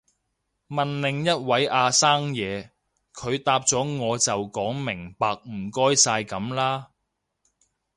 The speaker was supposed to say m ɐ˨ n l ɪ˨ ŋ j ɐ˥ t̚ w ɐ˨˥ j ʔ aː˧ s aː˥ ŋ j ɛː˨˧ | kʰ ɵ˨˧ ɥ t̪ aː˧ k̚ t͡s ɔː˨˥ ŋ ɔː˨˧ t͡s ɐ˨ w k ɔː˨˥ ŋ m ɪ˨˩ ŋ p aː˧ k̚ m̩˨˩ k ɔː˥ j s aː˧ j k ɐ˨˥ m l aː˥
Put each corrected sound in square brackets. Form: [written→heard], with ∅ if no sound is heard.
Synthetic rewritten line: m ɐ˨ n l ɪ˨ ŋ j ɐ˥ t̚ w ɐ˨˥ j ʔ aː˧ s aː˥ ŋ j ɛː˨˧ | kʰ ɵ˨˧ ɥ t̪ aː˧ [k̚→p̚] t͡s ɔː˨˥ ŋ ɔː˨˧ t͡s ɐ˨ w k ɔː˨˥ ŋ m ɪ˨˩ ŋ p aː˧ k̚ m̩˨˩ k ɔː˥ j s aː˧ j k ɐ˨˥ m l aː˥